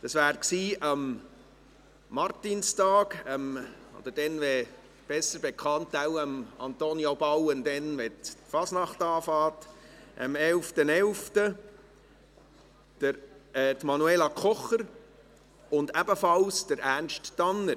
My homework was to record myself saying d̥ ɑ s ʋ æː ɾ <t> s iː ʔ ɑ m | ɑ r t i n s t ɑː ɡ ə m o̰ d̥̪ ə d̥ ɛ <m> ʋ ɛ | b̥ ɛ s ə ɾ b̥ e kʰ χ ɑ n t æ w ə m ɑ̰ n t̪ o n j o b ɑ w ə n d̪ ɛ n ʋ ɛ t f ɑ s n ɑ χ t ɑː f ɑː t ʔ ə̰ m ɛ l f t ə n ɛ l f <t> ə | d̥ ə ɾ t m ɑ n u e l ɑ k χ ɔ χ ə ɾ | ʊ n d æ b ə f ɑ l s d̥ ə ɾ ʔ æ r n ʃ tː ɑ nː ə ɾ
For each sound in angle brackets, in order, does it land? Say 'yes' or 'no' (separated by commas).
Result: no, no, yes